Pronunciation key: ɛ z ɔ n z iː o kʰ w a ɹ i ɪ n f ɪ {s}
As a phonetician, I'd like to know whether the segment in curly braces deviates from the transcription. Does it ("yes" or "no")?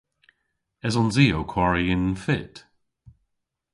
yes